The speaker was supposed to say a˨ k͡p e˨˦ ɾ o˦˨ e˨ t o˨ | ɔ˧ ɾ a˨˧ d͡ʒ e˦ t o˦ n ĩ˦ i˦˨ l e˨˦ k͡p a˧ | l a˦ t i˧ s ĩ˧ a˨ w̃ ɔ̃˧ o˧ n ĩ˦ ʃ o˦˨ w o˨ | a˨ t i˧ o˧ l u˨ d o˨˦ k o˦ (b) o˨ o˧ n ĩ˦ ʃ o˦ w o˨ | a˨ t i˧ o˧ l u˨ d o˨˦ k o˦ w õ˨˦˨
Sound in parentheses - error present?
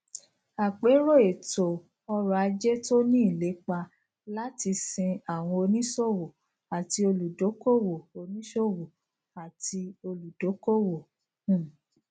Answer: yes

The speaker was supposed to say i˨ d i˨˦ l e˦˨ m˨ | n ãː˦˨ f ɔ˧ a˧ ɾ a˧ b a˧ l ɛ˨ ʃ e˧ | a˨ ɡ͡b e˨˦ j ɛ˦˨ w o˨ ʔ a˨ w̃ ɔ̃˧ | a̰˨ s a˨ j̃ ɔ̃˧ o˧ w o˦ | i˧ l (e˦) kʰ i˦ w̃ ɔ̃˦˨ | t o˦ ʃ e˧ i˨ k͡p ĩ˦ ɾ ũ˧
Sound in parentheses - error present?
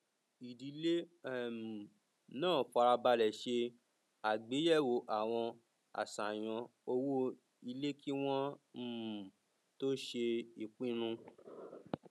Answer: no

